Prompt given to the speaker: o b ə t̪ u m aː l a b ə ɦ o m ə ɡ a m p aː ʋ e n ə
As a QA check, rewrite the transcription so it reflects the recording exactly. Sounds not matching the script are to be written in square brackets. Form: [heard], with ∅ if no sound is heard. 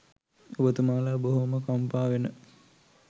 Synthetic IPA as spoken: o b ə t̪ u m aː l a b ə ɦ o m ə [k] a m p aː ʋ e n ə